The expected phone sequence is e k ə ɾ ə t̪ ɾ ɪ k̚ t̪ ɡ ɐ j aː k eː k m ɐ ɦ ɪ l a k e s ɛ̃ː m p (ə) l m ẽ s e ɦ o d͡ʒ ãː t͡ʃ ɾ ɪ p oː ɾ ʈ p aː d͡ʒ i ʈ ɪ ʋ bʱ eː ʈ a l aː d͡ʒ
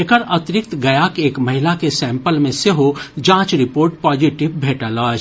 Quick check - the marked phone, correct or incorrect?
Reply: correct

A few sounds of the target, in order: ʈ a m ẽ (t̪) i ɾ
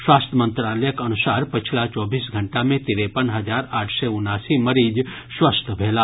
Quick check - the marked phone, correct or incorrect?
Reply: correct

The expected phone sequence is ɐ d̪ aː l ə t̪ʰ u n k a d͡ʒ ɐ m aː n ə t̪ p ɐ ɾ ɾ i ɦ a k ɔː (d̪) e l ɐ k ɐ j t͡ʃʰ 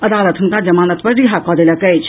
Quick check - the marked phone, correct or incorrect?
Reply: correct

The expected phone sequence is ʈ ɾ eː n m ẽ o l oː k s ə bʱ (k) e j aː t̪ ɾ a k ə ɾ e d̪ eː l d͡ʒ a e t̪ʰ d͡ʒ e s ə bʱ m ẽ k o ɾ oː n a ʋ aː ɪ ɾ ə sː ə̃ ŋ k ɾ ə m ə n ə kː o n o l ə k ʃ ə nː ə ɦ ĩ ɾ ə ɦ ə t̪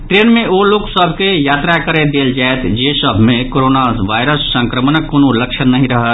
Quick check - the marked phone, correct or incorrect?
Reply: correct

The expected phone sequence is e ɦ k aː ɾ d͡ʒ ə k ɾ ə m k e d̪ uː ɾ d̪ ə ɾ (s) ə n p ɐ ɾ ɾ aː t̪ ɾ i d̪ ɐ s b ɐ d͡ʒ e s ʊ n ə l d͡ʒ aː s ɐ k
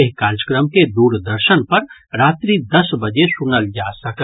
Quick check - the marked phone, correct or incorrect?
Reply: incorrect: ʃ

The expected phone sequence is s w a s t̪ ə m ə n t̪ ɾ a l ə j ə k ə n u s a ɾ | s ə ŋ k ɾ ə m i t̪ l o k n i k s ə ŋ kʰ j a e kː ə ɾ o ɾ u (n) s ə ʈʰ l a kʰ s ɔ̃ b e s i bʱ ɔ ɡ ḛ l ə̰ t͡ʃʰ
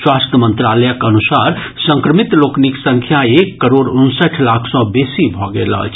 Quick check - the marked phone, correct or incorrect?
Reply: correct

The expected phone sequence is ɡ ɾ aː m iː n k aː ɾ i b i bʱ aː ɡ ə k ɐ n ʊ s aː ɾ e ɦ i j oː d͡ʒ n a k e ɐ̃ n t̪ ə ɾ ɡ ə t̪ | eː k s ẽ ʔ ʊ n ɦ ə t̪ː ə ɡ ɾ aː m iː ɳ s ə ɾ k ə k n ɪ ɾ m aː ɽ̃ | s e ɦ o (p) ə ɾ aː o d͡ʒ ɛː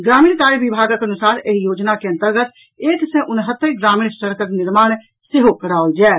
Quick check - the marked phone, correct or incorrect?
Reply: incorrect: k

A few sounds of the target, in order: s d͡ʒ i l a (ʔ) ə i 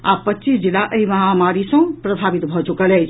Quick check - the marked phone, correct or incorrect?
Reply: correct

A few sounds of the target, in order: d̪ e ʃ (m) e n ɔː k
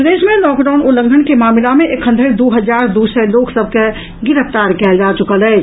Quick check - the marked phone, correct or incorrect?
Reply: correct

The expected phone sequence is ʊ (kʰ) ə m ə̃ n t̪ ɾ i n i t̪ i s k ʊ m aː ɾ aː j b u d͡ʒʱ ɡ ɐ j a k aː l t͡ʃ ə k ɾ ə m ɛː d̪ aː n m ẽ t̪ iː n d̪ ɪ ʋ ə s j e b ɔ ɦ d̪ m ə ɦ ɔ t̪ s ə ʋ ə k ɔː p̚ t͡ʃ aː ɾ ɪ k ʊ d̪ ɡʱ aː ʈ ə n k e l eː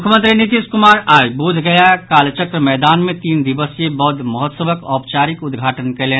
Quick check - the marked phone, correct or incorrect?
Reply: correct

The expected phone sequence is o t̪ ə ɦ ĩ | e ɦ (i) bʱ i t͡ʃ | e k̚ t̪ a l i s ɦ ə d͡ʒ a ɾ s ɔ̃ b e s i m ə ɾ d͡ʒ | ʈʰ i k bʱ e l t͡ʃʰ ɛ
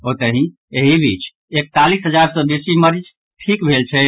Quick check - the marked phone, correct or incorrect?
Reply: correct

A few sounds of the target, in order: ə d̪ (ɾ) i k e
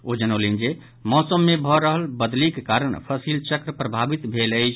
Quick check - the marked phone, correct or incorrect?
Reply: incorrect: l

